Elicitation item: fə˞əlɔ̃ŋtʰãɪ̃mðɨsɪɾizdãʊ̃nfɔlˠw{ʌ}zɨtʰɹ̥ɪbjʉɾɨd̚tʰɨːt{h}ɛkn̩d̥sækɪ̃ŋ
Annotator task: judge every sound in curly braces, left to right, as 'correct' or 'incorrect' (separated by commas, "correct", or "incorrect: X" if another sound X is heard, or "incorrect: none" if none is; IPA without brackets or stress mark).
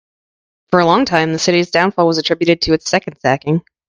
correct, incorrect: s